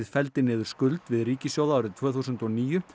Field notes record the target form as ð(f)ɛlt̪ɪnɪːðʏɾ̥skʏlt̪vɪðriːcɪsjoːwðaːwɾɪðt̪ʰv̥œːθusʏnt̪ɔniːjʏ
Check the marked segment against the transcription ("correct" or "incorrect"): correct